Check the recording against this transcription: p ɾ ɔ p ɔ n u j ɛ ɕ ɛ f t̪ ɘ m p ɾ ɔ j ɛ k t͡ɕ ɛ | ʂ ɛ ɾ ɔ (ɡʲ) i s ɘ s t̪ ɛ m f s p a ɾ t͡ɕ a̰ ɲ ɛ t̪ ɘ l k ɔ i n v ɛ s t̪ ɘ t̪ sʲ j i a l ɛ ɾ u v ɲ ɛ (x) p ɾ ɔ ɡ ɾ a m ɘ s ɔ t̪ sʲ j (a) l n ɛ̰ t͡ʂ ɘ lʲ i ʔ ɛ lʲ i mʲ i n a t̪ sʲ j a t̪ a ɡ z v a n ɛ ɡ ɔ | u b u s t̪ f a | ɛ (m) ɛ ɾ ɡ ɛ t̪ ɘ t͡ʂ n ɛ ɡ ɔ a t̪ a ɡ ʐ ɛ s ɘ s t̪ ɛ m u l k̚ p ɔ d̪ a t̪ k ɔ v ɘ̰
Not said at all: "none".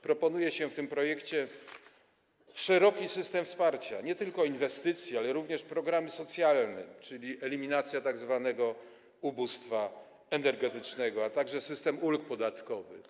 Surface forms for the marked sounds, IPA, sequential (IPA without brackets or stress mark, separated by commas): kʲ, ʂ, a, n